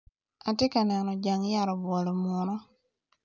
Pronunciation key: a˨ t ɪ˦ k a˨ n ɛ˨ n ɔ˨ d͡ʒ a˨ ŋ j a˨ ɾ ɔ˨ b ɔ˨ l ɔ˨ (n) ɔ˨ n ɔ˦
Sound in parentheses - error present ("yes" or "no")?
yes